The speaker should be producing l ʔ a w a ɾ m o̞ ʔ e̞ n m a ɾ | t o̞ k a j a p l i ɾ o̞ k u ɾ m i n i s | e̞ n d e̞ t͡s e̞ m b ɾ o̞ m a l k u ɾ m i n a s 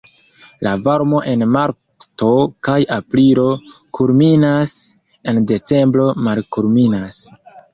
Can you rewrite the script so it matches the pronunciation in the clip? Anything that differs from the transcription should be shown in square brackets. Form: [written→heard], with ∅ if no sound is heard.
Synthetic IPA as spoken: l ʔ a [w→v] a ɾ m o̞ ʔ e̞ n m a ɾ | t o̞ k a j a p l i ɾ o̞ k u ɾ m i n [i→a] s | e̞ n d e̞ t͡s e̞ m b ɾ o̞ m a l k u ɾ m i n a s